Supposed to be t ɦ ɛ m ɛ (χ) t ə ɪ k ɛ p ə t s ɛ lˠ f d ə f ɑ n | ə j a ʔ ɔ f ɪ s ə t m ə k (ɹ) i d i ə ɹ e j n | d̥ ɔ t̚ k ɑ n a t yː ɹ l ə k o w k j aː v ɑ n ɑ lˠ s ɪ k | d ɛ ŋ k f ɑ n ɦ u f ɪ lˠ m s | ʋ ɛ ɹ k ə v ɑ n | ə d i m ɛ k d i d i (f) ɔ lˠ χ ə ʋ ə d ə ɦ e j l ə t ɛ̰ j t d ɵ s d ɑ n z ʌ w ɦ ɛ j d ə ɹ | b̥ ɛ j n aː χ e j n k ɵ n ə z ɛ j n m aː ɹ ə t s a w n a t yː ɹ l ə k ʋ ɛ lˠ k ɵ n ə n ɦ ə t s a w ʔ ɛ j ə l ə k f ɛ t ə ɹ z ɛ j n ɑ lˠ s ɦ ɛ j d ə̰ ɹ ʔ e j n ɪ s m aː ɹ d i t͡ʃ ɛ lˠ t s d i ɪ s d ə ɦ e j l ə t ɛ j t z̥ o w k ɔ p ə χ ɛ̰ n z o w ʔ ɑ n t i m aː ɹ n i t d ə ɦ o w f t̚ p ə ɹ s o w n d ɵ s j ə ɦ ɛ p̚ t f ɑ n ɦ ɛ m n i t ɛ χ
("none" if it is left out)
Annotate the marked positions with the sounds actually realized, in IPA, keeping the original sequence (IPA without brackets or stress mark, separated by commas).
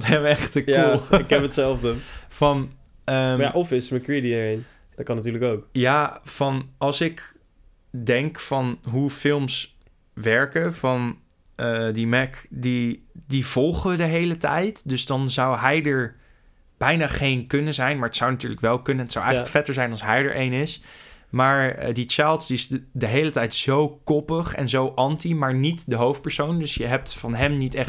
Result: χ, ɹ, v